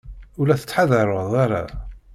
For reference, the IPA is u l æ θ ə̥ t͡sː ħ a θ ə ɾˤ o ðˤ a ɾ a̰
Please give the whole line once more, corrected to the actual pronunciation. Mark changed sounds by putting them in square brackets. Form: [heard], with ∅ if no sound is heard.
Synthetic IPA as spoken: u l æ θ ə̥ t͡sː ħ a [ð] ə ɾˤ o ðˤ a ɾ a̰

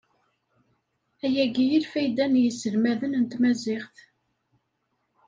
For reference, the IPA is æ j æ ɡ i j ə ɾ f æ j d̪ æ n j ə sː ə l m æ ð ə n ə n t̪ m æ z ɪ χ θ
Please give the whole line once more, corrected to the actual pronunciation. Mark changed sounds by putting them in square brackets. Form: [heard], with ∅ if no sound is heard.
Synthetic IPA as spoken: æ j æ ɡ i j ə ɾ f æ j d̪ æ n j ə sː ə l m æ ð ə n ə n t̪ m æ z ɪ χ θ

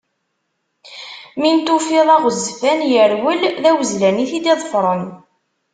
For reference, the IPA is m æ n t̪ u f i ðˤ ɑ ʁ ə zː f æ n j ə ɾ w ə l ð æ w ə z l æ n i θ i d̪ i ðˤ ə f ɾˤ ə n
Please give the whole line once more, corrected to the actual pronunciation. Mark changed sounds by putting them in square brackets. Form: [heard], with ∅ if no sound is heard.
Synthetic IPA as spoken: m [i] n t̪ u f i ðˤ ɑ ʁ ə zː f æ n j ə ɾ w ə l ð æ w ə z l æ n i θ i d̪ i ðˤ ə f ɾˤ ə n

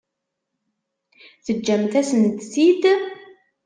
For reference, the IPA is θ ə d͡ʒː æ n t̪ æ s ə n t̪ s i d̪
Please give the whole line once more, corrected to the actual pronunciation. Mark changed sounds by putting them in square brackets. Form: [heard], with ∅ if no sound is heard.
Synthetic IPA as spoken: θ ə d͡ʒː æ [m] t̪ æ s ə n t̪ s i d̪

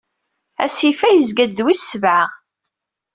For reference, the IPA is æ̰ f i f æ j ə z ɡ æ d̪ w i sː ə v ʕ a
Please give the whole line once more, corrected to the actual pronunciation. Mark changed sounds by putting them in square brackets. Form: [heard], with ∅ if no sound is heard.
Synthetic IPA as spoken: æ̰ [s] i f æ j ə z ɡ æ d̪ w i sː ə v ʕ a

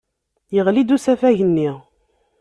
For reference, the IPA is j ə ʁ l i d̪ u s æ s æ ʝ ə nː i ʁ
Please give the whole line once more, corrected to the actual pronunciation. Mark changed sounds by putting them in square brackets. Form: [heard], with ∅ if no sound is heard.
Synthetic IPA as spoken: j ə ʁ l i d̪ u s æ [f] æ ʝ ə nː i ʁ

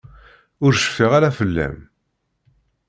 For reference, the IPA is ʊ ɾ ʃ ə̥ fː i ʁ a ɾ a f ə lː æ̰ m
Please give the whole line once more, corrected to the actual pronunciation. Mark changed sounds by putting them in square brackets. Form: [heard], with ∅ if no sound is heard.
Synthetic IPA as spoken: ʊ ɾ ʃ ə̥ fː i ʁ a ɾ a f ə lː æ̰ m

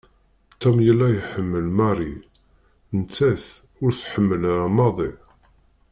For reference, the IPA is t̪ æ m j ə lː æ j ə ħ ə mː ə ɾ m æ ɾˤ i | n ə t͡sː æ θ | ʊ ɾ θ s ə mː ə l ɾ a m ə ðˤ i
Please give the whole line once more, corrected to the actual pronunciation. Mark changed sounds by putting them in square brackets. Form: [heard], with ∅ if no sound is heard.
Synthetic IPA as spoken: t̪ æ m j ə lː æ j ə ħ ə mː ə [l] m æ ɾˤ i | n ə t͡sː æ θ | ʊ ɾ θ [ħ] ə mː ə l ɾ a m [ɑ] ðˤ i

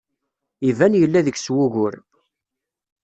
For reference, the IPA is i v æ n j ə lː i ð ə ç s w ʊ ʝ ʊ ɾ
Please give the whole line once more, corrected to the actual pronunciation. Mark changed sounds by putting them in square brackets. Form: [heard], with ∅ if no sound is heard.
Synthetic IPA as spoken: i v æ n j ə lː [æ] ð ə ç s w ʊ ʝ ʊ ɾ

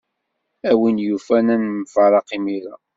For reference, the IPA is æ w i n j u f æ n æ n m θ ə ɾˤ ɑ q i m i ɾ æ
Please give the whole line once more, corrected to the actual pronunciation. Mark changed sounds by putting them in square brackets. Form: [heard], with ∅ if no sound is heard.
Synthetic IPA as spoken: æ w i n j u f æ n æ n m [f] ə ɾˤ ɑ q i m i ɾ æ

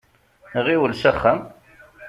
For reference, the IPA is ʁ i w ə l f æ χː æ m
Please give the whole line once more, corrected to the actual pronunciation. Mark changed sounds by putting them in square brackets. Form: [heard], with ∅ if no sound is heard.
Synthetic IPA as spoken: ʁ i w ə l [s] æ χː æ m

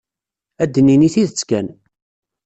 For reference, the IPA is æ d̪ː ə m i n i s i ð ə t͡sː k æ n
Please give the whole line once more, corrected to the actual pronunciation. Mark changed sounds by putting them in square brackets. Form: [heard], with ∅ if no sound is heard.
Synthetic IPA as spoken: æ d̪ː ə [n] i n i [θ] i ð ə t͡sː k æ n

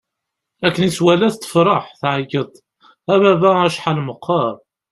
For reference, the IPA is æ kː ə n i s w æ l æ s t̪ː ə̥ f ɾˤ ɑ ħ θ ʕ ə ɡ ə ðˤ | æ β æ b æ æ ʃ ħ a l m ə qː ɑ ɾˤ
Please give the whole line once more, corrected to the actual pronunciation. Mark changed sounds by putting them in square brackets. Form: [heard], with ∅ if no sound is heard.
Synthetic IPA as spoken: æ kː ə n i s w æ l æ [θ] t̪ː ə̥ f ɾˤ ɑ ħ θ ʕ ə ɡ ə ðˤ | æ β æ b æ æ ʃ ħ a l m ə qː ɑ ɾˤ

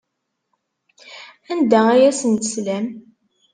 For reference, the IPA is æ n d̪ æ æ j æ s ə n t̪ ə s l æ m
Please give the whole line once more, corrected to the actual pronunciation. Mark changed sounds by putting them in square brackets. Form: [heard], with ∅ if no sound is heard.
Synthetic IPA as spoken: æ n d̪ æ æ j æ s ə n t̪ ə s l æ m

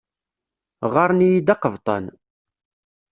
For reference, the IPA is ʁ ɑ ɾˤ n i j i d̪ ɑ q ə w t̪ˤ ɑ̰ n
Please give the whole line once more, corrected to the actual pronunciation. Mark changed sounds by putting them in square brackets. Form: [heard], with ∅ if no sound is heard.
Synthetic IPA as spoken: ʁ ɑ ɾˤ n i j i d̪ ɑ q ə [v] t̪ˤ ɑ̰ n

